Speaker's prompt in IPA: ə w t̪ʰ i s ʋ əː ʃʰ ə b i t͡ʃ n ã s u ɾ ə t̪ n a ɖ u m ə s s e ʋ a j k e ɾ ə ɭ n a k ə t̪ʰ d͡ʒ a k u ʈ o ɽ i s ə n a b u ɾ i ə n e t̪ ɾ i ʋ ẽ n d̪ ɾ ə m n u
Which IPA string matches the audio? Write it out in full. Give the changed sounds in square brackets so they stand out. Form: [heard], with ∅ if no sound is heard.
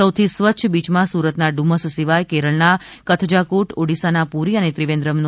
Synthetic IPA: ə w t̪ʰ i s ʋ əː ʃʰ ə b i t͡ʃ [m] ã s u ɾ ə t̪ n a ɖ u m ə s s [i] ʋ a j k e ɾ ə ɭ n a k ə t̪ʰ d͡ʒ a k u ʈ o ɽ i s [a] n a [p] u ɾ i ə n e t̪ ɾ i ʋ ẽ n d̪ ɾ ə m n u